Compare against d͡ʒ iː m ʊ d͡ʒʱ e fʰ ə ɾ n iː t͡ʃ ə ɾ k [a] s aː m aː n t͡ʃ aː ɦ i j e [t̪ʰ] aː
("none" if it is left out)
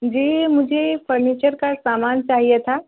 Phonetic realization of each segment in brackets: a, t̪ʰ

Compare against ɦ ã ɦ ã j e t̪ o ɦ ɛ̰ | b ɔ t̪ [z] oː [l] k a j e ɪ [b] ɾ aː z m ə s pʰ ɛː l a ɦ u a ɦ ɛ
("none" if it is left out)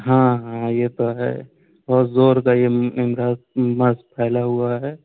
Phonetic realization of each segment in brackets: z, ɾ, m

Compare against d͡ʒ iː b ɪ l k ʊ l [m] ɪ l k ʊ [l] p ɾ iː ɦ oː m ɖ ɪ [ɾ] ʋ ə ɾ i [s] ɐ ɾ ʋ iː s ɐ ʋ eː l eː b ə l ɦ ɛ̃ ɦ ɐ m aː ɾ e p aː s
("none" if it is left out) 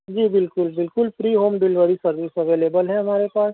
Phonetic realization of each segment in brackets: b, l, l, s

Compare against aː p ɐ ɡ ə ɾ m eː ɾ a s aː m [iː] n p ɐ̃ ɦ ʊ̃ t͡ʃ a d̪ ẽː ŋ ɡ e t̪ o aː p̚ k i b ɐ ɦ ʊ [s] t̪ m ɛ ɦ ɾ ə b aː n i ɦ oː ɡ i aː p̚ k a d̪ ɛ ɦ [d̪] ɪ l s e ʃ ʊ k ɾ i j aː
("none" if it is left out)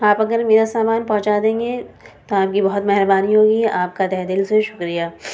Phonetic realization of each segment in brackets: aː, none, d̪

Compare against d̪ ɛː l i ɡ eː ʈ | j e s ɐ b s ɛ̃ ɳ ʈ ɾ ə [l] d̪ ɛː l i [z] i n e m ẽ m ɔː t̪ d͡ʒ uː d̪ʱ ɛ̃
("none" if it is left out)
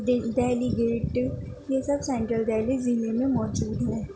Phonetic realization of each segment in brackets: l, z

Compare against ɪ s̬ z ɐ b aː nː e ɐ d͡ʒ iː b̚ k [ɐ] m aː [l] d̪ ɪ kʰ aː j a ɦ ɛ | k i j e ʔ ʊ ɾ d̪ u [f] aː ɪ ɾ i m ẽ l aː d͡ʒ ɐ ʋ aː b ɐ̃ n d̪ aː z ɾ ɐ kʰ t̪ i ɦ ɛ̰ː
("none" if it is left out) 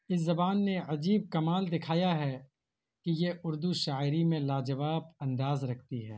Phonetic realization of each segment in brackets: ɐ, l, ʃ

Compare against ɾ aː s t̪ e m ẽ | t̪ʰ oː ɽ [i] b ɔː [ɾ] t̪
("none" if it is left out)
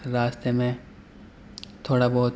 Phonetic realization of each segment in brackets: a, none

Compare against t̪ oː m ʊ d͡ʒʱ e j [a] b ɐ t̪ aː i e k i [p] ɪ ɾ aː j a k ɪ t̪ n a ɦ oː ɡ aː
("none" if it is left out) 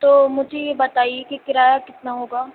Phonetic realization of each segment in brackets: e, k

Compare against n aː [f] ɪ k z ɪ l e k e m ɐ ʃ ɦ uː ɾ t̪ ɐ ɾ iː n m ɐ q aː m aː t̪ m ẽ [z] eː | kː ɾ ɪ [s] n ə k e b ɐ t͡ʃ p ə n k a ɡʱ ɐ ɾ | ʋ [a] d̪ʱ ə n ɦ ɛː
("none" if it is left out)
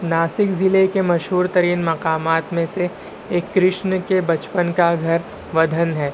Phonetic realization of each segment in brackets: s, s, ʃ, ɐ

